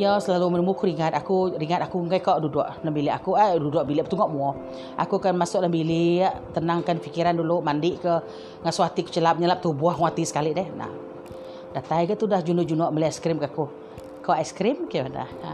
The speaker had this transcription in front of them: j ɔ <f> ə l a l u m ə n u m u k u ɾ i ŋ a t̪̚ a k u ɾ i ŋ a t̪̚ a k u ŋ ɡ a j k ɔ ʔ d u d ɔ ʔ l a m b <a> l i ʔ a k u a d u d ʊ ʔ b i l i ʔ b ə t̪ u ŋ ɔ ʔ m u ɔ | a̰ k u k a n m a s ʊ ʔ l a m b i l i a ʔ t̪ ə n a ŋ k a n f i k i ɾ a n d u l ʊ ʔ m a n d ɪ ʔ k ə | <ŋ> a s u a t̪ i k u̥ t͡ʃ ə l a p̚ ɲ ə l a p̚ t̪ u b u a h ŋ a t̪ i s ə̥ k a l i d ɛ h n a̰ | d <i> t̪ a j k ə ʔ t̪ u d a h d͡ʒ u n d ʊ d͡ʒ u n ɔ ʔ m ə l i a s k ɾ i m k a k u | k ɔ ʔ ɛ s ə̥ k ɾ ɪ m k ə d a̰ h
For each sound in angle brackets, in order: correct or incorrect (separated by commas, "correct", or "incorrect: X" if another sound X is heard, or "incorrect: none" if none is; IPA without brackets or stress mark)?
incorrect: s, incorrect: i, correct, incorrect: a